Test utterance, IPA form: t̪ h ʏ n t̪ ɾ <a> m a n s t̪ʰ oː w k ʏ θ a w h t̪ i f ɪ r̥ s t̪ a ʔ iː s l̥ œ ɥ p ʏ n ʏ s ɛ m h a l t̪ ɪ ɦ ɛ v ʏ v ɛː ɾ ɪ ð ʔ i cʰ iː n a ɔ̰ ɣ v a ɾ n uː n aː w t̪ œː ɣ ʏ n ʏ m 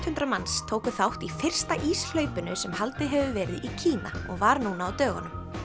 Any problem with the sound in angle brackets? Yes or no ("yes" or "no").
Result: no